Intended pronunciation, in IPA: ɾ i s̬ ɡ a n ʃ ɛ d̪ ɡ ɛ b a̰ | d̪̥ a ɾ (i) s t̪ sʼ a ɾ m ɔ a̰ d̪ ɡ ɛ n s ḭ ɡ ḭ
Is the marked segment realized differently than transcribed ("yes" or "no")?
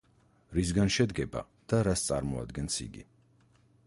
yes